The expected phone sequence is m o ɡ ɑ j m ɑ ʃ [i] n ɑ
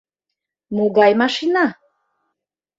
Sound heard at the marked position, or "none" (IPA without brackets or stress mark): i